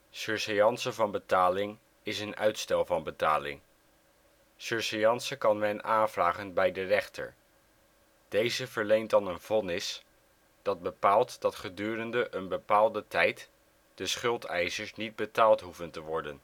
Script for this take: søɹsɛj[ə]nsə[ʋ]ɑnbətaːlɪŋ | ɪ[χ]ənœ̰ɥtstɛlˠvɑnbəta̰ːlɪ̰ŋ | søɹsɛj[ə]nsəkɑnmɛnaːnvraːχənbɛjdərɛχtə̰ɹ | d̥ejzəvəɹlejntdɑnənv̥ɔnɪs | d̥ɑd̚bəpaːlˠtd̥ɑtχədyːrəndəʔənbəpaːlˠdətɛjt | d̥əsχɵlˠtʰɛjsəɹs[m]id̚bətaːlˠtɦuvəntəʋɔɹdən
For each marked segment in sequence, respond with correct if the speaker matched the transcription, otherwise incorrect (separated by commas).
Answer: incorrect, incorrect, incorrect, incorrect, incorrect